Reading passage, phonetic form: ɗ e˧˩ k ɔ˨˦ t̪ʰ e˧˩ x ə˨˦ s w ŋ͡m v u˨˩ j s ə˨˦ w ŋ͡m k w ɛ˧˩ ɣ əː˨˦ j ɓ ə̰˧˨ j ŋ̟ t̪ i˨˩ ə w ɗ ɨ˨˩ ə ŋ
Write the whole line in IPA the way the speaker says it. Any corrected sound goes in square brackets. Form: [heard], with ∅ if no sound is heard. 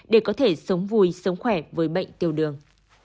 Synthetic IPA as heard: ɗ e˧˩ k ɔ˨˦ t̪ʰ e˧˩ [s] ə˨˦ [∅] w ŋ͡m v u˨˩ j s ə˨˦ w ŋ͡m [x] w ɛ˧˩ [v] əː˨˦ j ɓ ə̰˧˨ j ŋ̟ t̪ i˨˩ ə w ɗ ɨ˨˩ ə ŋ